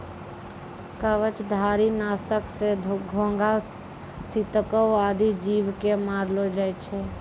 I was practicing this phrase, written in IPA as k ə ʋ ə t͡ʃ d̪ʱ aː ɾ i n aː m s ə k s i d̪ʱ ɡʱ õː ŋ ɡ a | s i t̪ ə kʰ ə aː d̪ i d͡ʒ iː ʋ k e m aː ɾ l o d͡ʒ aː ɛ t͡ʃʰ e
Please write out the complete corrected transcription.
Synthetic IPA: k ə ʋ ə t͡ʃ d̪ʱ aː ɾ i n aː s ə k s e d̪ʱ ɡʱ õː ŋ ɡ a | s i t̪ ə k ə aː d̪ i d͡ʒ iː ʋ k e m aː ɾ l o d͡ʒ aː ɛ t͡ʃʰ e